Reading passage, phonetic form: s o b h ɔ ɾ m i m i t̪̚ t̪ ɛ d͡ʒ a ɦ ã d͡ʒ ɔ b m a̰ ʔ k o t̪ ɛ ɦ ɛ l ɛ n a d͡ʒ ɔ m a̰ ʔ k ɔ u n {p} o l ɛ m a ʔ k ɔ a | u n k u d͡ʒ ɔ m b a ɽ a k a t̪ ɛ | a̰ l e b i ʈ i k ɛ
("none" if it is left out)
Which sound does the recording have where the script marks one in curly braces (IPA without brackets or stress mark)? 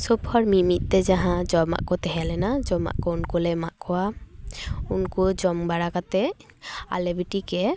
k